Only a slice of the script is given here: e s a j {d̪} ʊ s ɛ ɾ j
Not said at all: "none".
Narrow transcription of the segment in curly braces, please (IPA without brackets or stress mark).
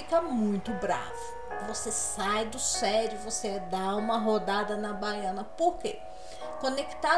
d̪